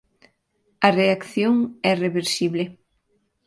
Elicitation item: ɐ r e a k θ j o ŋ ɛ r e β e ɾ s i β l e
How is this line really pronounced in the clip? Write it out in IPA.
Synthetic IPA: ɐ r e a k θ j o ŋ ɛ r e β e ɾ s i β l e